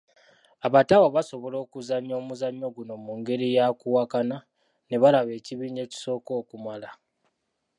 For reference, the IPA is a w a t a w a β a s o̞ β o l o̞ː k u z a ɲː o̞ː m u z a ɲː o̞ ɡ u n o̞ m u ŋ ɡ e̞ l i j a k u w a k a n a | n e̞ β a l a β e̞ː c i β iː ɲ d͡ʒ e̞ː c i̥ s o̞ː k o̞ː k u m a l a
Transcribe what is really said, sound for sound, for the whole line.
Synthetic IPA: a β a t a w a β a s o̞ β o l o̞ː k u z a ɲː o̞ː m u z a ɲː o̞ ɡ u n o̞ m u ŋ ɡ e̞ ɾ i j a k u w a k a n a | n e̞ β a l a β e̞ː c i β iː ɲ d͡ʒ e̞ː c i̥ s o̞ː k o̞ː k u m a l a

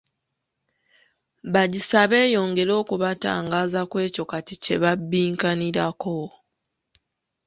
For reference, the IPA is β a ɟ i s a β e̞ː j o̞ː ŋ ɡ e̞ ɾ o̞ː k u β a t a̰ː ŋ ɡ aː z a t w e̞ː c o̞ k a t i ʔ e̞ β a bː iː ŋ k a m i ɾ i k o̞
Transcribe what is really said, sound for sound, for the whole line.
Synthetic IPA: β a ɟ i s a β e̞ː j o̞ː ŋ ɡ e̞ ɾ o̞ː k u β a t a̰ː ŋ ɡ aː z a k w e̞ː c o̞ k a t i c e̞ β a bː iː ŋ k a n i ɾ a k o̞

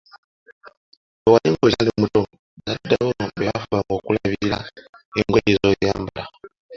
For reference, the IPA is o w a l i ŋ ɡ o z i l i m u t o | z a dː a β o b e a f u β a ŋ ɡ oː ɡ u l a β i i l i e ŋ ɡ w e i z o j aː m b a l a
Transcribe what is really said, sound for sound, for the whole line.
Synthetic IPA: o w a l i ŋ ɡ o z a l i m u t o | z a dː a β o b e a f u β a ŋ ɡ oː k u l a β i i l a e ŋ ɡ w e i z o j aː m b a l a

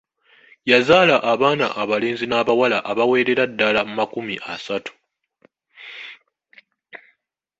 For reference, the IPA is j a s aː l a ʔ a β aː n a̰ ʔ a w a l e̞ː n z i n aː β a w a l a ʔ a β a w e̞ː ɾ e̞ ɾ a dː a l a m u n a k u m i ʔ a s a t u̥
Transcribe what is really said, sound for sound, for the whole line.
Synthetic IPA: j a z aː l a ʔ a β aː n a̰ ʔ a β a l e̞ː n z i n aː β a w a l a ʔ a β a w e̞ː ɾ e̞ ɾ a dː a l a m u m a k u m i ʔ a s a t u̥

